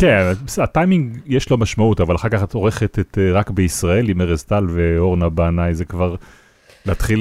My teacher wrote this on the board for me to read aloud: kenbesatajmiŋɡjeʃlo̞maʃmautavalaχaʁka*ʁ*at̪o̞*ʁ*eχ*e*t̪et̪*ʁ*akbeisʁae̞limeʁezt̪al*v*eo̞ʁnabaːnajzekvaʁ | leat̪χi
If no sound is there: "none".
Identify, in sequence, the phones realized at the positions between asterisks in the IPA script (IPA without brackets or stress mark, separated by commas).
χ, ʁ, e, ʁ, v